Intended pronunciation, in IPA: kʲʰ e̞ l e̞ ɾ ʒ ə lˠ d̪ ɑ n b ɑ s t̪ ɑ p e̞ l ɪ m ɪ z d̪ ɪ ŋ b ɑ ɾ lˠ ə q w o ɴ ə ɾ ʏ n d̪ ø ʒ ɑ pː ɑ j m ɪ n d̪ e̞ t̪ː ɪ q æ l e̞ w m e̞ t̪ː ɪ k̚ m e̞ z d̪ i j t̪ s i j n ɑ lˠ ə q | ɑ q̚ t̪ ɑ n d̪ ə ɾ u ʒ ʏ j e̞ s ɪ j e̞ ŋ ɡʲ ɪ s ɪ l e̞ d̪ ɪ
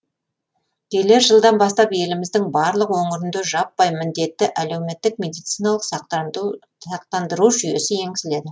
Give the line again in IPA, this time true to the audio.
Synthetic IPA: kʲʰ e̞ l e̞ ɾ ʒ ə lˠ d̪ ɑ n b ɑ s t̪ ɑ p e̞ l ɪ m ɪ z d̪ ɪ ŋ b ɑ ɾ lˠ ə q w o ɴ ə ɾ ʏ n d̪ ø ʒ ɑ pː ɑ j m ɪ n d̪ e̞ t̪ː ɪ ʔ æ l e̞ w m e̞ t̪ː ɪ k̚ m e̞ d̪ i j t̪ s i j n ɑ lˠ ə q | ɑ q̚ t̪ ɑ n d̪ ə ɾ u ʒ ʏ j e̞ s ɪ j e̞ ŋ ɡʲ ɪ s ɪ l e̞ d̪ ɪ

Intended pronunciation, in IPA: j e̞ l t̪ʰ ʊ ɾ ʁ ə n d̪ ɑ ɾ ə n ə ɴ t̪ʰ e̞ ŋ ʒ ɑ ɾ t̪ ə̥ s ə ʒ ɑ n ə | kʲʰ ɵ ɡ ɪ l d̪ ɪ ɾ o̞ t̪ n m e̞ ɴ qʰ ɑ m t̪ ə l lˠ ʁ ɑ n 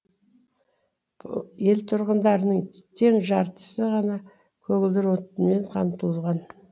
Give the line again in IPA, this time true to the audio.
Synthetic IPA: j e̞ l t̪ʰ ʊ ɾ ʁ ə n d̪ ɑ ɾ ə n ə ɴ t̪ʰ e̞ ŋ ʒ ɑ ɾ t̪ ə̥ s ə ʁ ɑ n ɑ | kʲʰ ɵ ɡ ɪ l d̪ ɪ ɾ o̞ t̪ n m e̞ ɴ qʰ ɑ m t̪ ə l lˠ ʁ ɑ n

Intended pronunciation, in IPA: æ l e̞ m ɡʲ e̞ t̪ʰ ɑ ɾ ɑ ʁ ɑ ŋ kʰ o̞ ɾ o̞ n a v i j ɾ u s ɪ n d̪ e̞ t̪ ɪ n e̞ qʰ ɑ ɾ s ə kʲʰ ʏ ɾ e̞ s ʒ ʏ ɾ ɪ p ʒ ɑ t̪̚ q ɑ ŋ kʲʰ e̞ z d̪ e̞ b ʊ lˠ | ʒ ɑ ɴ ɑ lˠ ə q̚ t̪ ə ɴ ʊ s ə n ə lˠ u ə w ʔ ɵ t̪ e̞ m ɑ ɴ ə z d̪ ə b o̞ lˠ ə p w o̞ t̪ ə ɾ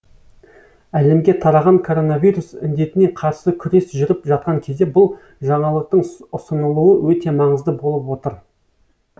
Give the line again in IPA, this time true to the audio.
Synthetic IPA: æ l e̞ m ɡʲ e̞ t̪ʰ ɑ ɾ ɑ ʁ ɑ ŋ kʰ o̞ ɾ o̞ n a v i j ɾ u s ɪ n d̪ e̞ t̪ ɪ n e̞ qʰ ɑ ɾ s ə kʲʰ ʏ ɾ e̞ s ʒ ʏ ɾ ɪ p ʒ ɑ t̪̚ q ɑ ŋ kʲʰ e̞ z d̪ e̞ b ʊ lˠ | ʒ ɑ ɴ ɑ lˠ ə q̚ t̪ ə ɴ ʊ s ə n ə lˠ u ə w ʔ ɵ t̪ e̞ m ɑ ɴ ə z d̪ ə b o̞ lˠ ə p w o̞ t̪ ə ɾ

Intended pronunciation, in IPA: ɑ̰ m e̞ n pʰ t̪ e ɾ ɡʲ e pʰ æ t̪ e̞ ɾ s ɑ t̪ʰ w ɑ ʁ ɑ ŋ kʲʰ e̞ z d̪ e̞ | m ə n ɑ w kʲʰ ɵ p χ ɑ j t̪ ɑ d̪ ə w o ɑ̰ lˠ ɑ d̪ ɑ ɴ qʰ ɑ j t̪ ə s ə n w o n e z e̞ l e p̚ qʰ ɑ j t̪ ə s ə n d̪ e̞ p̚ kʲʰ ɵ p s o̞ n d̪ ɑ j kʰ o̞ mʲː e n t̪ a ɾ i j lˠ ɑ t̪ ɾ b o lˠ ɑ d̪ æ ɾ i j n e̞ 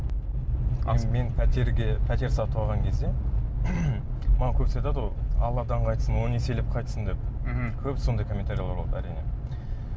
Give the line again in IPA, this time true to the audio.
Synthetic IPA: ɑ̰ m e̞ n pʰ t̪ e ɾ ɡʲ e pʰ æ t̪ e̞ ɾ s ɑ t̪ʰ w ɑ ʁ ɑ ŋ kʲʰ e̞ z d̪ e̞ | m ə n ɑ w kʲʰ ɵ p s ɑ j t̪ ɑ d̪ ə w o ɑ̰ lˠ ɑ d̪ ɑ ɴ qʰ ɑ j t̪ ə s ə n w o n e s e̞ l e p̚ qʰ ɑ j t̪ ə s ə n d̪ e̞ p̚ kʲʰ ɵ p s o̞ n d̪ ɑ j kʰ o̞ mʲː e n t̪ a ɾ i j lˠ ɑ ɾ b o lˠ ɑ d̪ æ ɾ i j n e̞

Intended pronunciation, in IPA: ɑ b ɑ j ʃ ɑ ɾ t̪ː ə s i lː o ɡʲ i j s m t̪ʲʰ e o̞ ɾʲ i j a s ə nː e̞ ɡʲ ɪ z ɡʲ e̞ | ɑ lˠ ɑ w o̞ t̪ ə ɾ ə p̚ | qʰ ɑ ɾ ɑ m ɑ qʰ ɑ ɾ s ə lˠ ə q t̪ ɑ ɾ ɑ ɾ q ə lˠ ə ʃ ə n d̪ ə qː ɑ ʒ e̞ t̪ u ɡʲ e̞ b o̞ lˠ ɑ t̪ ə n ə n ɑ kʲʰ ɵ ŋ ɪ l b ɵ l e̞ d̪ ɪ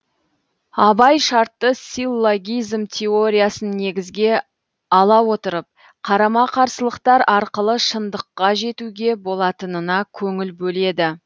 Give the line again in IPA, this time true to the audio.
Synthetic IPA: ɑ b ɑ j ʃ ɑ ɾ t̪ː ə s i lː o ɡʲ i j z m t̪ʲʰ e o̞ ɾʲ i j a s ə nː e̞ ɡʲ ɪ z ɡʲ e̞ | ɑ lˠ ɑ w o̞ t̪ ə ɾ ə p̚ | qʰ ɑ ɾ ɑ m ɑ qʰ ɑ ɾ s ə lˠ ə q t̪ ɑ ɾ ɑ ɾ q ə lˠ ə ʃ ə n d̪ ə qː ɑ ʒ e̞ t̪ u ɡʲ e̞ b o̞ lˠ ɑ t̪ ə n ə n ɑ kʲʰ ɵ ŋ ɪ l b ɵ l e̞ d̪ ɪ

